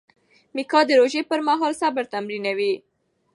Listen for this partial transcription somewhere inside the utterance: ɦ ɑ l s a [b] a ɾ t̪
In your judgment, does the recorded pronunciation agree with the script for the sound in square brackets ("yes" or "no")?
yes